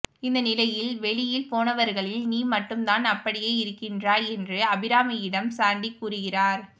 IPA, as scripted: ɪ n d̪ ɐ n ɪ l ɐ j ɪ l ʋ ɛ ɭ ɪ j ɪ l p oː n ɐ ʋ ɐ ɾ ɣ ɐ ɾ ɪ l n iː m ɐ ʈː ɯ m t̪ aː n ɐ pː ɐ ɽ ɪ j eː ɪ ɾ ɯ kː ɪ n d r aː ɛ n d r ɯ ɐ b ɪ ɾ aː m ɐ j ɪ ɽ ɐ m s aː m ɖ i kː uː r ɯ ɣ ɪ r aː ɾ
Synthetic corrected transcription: ɪ n d̪ ɐ n ɪ l ɐ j ɪ l ʋ ɛ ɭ ɪ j ɪ l p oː n ɐ ʋ ɐ ɾ ɣ ɐ ɭ ɪ l n iː m ɐ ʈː ɯ m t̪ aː n ɐ pː ɐ ɽ ɪ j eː ɪ ɾ ɯ kː ɪ n d r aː ɛ n d r ɯ ɐ b ɪ ɾ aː m ɐ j ɪ ɽ ɐ m s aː ɳ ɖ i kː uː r ɯ ɣ ɪ r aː ɾ